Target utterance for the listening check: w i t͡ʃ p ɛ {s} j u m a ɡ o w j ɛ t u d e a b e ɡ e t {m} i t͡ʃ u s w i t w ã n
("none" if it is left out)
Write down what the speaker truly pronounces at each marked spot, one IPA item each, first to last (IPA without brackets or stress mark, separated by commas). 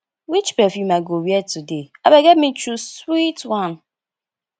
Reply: f, m